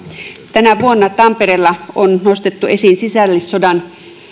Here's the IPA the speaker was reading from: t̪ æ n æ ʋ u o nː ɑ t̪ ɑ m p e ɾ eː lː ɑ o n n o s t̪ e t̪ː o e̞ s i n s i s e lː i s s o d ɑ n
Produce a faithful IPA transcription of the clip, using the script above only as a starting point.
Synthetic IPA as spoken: t̪ æ n æ ʋ u o nː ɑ t̪ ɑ m p e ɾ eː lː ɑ o n n o s t̪ e t̪ː u e̞ s i n s i s æ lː i s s o d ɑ n